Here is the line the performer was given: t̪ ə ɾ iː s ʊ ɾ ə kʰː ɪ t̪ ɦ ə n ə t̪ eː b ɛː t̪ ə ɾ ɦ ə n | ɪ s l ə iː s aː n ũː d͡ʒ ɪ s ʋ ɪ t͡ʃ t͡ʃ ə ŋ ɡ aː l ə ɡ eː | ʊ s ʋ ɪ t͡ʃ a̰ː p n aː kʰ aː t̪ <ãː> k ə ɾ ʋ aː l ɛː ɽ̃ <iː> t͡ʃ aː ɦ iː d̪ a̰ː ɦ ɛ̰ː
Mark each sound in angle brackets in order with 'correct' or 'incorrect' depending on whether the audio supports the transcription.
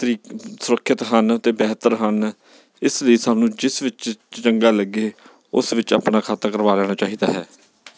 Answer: incorrect: aː, incorrect: aː

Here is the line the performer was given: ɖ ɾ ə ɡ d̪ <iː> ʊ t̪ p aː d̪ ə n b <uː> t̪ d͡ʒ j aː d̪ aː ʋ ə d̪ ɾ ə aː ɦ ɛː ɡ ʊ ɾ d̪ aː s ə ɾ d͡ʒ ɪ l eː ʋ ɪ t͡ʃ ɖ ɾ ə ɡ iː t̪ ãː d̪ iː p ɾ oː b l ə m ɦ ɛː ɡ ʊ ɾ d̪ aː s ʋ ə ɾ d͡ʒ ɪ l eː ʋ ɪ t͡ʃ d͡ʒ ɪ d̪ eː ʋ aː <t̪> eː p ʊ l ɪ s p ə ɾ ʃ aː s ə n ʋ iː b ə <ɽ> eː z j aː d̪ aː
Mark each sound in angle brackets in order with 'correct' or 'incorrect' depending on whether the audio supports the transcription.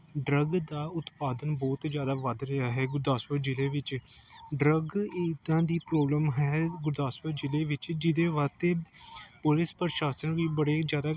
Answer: incorrect: aː, incorrect: ɔː, correct, correct

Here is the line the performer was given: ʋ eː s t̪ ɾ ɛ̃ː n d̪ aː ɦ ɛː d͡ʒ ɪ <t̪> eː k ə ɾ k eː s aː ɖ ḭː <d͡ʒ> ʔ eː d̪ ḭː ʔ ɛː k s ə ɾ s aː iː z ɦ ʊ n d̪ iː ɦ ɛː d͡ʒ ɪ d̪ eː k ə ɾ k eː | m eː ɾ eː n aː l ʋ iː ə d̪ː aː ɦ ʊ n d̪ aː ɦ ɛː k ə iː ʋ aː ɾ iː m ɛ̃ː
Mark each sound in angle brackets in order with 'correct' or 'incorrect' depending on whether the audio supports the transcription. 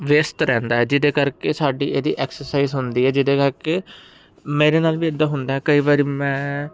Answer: incorrect: d̪, incorrect: none

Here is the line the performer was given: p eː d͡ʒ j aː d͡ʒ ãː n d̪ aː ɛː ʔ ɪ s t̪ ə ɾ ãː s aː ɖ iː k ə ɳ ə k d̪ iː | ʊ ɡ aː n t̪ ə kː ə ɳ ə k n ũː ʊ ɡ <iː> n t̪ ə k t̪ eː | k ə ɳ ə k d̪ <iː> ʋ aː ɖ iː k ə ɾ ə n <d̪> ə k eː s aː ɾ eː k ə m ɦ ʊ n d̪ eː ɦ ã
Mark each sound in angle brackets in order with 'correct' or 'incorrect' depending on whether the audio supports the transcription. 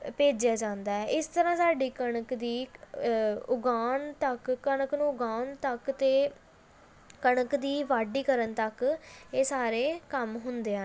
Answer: incorrect: aː, correct, incorrect: t̪

